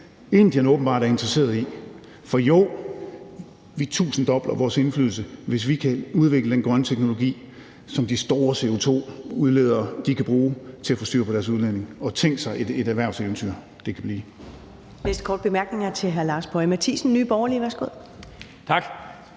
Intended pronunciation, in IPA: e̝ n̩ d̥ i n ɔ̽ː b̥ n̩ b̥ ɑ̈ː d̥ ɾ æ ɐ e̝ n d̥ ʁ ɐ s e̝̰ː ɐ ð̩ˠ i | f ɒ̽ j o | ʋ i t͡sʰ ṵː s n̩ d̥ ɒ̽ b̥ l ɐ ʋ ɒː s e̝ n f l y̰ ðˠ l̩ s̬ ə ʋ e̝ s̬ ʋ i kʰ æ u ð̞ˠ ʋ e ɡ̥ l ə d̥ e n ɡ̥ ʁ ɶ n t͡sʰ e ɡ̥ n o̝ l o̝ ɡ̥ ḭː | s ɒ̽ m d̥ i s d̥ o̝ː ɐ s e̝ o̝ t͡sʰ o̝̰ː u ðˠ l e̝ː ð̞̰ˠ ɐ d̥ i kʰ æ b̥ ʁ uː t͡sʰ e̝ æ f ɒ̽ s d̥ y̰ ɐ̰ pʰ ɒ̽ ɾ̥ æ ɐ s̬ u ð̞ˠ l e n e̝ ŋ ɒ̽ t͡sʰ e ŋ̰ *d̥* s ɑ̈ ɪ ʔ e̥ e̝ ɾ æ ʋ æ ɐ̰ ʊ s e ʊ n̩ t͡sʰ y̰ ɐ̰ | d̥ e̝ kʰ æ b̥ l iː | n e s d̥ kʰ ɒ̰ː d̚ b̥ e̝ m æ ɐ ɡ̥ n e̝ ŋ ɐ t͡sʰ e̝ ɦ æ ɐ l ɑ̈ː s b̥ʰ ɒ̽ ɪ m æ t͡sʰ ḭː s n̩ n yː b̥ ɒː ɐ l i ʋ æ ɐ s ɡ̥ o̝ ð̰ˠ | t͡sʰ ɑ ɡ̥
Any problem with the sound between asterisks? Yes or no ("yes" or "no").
yes